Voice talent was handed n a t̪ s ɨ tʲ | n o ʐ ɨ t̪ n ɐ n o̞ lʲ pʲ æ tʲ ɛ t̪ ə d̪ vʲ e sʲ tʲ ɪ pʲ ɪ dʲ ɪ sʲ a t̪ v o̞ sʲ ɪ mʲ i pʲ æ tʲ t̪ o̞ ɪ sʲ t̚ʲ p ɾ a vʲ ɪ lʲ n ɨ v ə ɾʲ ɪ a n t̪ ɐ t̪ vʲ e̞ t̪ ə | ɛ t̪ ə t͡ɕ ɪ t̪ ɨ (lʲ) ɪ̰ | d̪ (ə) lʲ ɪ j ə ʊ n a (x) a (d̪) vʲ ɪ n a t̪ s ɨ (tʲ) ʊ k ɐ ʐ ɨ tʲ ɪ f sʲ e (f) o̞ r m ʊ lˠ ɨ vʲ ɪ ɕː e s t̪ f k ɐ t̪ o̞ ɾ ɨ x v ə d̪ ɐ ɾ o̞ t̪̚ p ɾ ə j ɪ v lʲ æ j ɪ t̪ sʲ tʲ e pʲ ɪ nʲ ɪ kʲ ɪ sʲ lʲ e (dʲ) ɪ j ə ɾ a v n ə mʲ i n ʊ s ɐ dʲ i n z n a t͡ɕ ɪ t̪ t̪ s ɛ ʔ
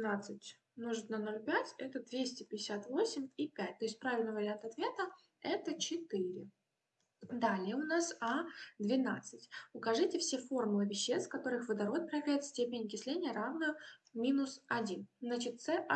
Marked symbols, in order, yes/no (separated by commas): no, no, no, yes, yes, yes, no